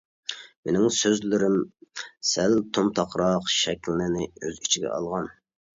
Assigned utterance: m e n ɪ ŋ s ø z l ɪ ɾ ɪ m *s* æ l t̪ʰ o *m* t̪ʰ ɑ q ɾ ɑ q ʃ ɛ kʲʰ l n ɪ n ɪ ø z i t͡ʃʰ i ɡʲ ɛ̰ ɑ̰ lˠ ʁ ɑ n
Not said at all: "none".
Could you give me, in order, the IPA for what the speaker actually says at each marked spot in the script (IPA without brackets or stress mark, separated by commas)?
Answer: s, m